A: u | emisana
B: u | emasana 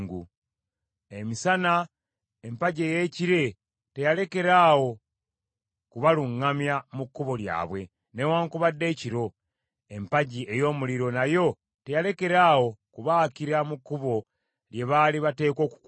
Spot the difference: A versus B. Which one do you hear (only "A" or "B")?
A